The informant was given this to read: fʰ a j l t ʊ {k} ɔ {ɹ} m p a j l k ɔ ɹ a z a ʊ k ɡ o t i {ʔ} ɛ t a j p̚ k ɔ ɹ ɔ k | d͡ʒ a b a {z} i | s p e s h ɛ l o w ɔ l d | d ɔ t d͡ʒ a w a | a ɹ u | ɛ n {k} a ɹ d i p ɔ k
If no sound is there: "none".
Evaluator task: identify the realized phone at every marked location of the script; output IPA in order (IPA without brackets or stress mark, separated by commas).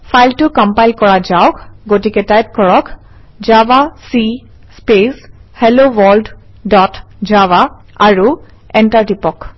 k, none, k, s, t